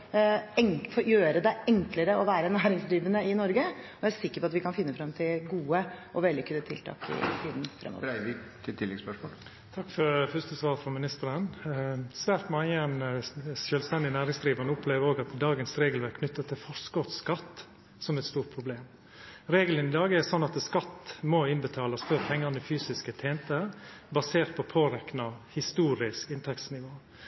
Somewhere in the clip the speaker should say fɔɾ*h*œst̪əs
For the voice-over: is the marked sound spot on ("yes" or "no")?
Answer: no